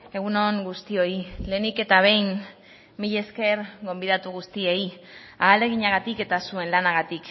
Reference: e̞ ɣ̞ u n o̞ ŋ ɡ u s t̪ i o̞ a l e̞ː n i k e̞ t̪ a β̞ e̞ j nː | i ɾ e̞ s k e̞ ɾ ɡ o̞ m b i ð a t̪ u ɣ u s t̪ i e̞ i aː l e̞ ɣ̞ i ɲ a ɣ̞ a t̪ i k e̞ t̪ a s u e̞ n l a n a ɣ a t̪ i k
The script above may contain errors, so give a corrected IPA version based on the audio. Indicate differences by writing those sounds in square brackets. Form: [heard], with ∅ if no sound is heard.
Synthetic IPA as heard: e̞ ɣ̞ u n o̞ ŋ ɡ u s t̪ i o̞ [i] l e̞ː n i k e̞ t̪ a β̞ e̞ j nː | i [ʎ] e̞ s k e̞ ɾ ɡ o̞ m b i ð a t̪ u ɣ u s t̪ i e̞ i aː l e̞ ɣ̞ i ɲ a ɣ̞ a t̪ i k e̞ t̪ a s u e̞ n l a n a ɣ a t̪ i k